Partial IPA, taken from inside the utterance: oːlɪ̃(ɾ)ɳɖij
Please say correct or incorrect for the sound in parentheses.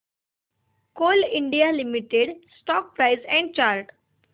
incorrect